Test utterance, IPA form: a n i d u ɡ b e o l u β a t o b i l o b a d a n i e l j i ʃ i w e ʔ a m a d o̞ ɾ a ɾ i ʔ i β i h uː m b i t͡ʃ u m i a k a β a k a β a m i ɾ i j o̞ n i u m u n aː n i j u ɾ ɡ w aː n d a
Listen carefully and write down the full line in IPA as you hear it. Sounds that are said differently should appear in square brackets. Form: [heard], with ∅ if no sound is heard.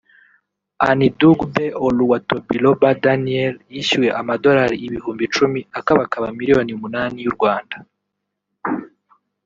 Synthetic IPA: a n i d u ɡ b e o l u [w] a t o b i l o b a d a n i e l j i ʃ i w e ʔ a m a d o̞ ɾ a ɾ i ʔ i β i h uː m b i t͡ʃ u m i a k a β a k a β a m i ɾ i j o̞ n i u m u n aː n i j u ɾ ɡ w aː n d a